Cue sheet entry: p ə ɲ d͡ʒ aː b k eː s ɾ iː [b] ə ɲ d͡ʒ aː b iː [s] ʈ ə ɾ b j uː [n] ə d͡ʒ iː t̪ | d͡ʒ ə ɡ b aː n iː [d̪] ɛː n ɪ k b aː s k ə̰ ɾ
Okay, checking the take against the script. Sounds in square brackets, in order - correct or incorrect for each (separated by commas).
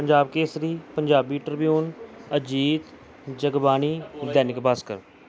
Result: incorrect, incorrect, correct, correct